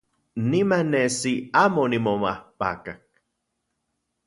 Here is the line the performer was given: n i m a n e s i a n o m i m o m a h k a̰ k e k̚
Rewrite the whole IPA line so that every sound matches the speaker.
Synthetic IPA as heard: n i m a n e s i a m o n i m o m a h p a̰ k a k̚